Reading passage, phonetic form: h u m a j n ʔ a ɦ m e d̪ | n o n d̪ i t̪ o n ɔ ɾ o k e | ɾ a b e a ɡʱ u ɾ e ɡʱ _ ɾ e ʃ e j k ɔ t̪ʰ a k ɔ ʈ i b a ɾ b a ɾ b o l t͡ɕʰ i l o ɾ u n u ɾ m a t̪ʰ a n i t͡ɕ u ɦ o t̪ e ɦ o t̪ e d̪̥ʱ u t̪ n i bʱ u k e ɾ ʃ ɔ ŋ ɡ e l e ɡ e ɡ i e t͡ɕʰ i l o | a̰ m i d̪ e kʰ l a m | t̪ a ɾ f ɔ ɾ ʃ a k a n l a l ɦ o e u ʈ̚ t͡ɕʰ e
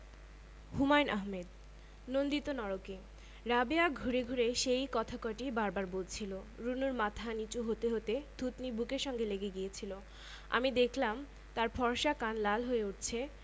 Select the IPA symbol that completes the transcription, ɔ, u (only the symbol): u